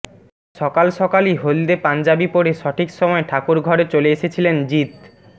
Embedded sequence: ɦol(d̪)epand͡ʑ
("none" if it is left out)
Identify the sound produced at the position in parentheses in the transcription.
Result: d̪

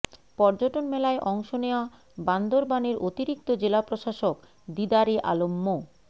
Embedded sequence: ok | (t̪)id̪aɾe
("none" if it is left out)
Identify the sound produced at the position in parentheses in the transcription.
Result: d̪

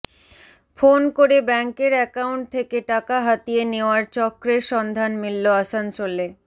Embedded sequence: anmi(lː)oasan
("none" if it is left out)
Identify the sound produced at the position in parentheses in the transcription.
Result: lː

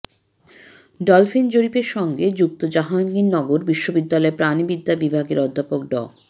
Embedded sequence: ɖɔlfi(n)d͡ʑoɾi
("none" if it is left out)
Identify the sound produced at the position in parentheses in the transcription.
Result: n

